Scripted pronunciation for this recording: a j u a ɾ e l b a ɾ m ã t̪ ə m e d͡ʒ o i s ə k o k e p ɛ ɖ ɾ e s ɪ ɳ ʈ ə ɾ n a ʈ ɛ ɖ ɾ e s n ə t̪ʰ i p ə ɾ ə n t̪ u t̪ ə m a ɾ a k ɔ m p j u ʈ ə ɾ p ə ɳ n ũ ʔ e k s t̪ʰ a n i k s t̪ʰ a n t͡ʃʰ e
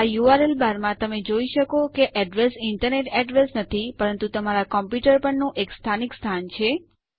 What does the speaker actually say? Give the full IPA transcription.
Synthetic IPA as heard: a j u a ɾ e l b a ɾ m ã t̪ ə m e d͡ʒ o i ʃ ə k o k e ʔ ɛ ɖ ɾ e s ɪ ɳ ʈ ə ɾ n e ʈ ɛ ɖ ɾ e s n ə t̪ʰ i p ə ɾ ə n t̪ u t̪ ə m a ɾ a k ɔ m p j u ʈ ə ɾ p ə ɳ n ũ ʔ e k s t̪ʰ a n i k s t̪ʰ a n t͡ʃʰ e